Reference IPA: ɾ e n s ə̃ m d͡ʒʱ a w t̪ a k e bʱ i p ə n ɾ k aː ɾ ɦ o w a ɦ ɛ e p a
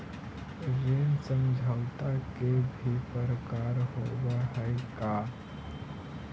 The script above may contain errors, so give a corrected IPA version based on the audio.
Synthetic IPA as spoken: ɾ e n s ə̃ m d͡ʒʱ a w t̪ a k e bʱ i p ə ɾ k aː ɾ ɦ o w a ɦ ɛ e k a

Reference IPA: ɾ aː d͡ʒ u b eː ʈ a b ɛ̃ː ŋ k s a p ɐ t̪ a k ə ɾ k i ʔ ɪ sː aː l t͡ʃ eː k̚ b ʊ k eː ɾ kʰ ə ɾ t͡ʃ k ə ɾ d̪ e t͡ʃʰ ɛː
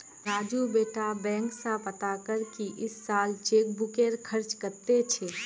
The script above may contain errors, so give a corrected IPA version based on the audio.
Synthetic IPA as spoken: ɾ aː d͡ʒ u b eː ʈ a b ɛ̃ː ŋ k s a p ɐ t̪ a k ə ɾ k i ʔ ɪ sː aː l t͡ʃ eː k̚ b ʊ k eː ɾ kʰ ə ɾ t͡ʃ k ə ɾ t̪ e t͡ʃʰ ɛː

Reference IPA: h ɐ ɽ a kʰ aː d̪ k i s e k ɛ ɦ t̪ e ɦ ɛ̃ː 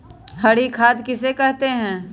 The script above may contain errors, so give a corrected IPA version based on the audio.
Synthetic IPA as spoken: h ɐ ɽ i kʰ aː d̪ k ɪ s e k ɛ ɦ t̪ e ɦ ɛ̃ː

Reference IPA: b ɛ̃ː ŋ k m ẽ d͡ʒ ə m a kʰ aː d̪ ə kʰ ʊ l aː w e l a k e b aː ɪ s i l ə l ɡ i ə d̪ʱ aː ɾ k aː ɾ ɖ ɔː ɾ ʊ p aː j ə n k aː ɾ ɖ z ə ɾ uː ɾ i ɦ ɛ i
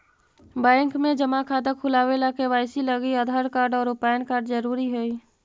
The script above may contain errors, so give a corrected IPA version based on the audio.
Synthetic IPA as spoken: b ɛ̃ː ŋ k m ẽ d͡ʒ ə m a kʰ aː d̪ ə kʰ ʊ l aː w e l a k e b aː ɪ s i l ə ɡ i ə d̪ʱ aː ɾ k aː ɾ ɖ ɔː ɾ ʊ p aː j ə n k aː ɾ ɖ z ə ɾ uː ɾ i ɦ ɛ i

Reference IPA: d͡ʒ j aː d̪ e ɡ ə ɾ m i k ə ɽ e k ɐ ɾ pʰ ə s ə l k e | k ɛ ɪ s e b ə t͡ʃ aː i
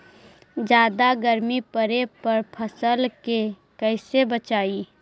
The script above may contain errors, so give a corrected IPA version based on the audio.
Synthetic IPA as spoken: d͡ʒ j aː d̪ a ɡ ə ɾ m i p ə ɾ e p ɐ ɾ pʰ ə s ə l k e | k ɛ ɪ s e b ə t͡ʃ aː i

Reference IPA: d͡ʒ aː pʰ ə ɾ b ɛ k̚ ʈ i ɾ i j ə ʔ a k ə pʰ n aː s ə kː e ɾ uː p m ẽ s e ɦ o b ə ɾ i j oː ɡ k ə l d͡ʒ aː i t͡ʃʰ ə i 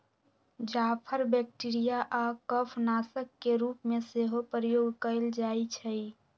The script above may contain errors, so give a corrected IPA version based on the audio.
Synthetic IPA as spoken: d͡ʒ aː pʰ ə ɾ b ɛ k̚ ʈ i ɾ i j a ʔ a k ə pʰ n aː s ə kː e ɾ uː p m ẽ s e ɦ o p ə ɾ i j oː ɡ k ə l d͡ʒ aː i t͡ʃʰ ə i

